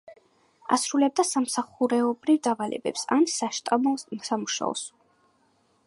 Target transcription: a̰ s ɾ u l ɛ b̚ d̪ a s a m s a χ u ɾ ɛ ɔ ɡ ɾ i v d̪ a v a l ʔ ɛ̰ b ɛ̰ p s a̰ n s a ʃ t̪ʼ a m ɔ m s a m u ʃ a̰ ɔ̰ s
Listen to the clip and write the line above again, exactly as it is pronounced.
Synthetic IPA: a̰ s ɾ u l ɛ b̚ d̪ a s a m s a χ u ɾ ɛ ɔ b ɾ i v d̪ a v a l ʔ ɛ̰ b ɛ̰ p s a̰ n s a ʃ t̪ʼ a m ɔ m s a m u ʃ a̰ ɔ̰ s